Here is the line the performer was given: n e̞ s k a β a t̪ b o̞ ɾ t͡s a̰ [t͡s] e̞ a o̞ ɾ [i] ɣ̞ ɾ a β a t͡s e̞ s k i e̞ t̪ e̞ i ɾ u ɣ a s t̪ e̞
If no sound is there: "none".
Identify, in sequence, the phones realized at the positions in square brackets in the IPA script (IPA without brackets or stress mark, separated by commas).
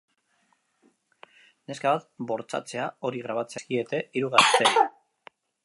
t͡s, i